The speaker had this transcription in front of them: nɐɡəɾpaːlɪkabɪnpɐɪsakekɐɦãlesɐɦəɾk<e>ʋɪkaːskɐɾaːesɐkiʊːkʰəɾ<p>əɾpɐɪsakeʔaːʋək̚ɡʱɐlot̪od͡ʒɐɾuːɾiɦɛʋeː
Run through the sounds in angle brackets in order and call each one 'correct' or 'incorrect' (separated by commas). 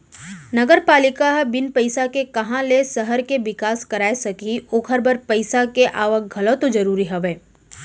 correct, incorrect